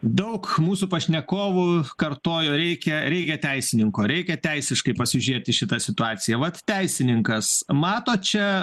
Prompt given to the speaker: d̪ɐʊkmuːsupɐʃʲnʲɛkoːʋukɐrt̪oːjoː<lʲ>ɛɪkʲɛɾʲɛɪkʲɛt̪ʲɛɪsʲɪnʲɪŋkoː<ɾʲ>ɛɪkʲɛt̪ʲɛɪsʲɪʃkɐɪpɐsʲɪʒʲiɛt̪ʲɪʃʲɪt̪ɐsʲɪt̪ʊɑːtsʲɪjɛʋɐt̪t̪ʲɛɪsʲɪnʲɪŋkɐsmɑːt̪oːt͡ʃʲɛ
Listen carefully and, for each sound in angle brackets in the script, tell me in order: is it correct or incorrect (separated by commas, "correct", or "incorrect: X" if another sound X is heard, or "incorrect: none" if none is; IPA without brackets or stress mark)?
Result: incorrect: ɾʲ, correct